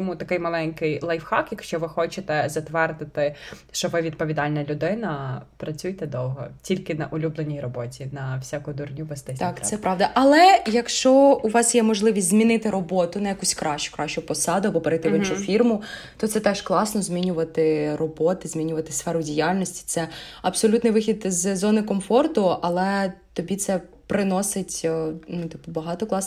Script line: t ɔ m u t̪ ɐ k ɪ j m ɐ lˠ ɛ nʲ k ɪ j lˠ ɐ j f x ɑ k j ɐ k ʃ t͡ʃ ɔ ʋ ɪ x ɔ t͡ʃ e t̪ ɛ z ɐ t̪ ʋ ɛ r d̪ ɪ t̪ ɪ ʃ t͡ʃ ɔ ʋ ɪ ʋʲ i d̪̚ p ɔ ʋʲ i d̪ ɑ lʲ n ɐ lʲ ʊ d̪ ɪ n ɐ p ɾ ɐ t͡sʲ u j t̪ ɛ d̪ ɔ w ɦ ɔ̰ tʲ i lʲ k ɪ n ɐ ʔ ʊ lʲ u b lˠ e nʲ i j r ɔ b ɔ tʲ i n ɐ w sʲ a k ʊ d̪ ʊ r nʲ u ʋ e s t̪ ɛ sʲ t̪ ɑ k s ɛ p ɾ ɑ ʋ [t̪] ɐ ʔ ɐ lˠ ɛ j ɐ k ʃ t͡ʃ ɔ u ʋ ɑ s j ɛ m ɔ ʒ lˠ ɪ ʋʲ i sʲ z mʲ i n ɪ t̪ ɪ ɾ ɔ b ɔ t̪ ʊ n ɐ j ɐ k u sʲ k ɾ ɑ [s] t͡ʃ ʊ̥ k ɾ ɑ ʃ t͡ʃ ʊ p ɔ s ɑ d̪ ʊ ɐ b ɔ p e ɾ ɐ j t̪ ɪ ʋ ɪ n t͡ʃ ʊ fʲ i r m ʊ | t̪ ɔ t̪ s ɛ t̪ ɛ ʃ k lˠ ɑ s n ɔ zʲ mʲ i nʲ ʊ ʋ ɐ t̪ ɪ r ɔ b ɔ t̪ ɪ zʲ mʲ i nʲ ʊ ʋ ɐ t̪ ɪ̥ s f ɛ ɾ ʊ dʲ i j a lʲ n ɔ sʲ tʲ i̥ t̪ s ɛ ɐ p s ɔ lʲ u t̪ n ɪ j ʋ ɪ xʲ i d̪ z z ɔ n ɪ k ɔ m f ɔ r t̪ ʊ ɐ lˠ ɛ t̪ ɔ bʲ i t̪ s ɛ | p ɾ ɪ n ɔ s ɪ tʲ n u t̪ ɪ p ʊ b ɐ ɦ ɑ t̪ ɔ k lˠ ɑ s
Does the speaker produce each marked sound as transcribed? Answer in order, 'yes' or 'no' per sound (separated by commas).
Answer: no, no